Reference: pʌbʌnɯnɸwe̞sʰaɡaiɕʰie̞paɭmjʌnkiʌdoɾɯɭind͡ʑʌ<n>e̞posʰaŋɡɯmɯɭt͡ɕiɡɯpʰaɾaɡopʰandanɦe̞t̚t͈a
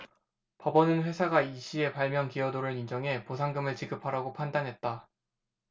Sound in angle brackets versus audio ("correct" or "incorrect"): incorrect